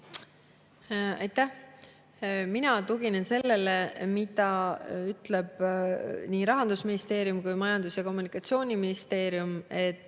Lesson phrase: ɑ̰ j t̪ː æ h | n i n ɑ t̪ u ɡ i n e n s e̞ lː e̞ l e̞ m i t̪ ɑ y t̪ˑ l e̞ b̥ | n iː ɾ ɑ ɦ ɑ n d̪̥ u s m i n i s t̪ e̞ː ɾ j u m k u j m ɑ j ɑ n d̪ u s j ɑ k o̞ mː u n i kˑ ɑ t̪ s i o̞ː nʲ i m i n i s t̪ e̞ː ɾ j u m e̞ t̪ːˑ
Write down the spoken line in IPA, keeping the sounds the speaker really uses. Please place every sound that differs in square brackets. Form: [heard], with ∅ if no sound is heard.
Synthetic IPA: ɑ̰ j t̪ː æ h | [m] i n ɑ t̪ u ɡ i n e n s e̞ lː e̞ l e̞ m i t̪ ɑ y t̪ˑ l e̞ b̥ | n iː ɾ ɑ ɦ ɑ n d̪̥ u s m i n i s t̪ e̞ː ɾ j u m k u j m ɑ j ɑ n d̪ u s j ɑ k o̞ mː u n i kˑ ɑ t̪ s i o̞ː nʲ i m i n i s t̪ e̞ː ɾ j u m e̞ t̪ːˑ